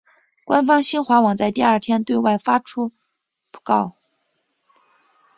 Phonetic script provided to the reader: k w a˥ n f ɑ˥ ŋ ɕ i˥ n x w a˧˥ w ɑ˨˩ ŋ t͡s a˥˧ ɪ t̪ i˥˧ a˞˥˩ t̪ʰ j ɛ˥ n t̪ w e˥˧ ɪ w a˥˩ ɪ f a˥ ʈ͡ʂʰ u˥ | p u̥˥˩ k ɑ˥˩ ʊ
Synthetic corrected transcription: k w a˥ n f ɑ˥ ŋ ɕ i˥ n x w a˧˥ w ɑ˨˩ ŋ t͡s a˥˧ ɪ t̪ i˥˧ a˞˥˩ t̪ʰ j ɛ˥ n t̪ w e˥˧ ɪ w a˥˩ ɪ f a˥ ʈ͡ʂʰ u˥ | p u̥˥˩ k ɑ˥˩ ʊ